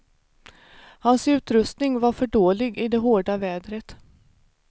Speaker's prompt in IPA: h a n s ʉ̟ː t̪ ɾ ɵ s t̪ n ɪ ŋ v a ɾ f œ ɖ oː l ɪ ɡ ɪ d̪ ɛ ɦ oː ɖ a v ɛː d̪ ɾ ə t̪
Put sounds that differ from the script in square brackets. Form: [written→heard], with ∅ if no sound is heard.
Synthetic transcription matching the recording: h a n s ʉ̟ː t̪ ɾ ɵ s t̪ n ɪ ŋ v a ɾ f œ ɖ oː l ɪ ɡ ɪ d̪ ɛ ɦ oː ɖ a v ɛː d̪ ɾ ə t̪